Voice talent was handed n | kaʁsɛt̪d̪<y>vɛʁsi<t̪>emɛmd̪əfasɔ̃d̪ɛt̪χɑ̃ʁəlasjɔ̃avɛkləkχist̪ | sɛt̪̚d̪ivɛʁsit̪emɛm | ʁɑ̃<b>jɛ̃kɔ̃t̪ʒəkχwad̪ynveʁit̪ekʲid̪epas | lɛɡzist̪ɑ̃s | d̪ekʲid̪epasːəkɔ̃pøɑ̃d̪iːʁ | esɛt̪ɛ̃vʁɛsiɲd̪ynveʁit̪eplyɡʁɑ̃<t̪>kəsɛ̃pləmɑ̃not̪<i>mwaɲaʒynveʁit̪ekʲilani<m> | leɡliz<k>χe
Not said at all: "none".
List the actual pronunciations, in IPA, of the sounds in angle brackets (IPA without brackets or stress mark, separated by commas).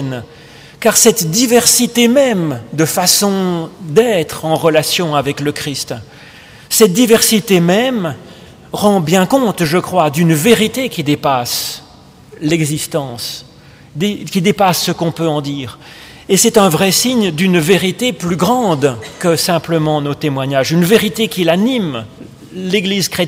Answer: i, t̪, b, d̪, e, m, k